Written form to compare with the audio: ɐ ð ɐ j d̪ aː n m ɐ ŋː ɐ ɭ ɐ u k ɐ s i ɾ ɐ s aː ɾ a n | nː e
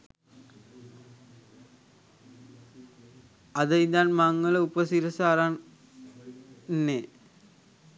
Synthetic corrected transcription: ɐ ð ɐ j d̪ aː n m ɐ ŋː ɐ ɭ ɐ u p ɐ s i ɾ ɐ s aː ɾ a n | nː e